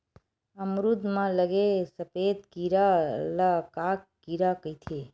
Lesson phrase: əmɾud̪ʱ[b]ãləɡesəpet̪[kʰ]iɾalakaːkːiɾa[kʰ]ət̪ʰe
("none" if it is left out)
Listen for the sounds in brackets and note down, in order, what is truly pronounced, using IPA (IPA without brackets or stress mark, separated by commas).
m, k, k